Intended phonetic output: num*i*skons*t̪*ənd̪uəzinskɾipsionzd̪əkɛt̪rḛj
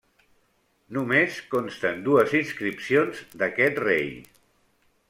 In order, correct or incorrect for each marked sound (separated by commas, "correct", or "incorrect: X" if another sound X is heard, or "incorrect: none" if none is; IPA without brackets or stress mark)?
incorrect: e, correct